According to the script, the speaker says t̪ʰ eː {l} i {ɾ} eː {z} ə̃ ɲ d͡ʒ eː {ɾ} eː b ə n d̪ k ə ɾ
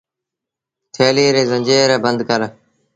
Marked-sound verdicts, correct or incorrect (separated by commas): correct, correct, correct, correct